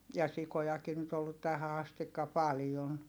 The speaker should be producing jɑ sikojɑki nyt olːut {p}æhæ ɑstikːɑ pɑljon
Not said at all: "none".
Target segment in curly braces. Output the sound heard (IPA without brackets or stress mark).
t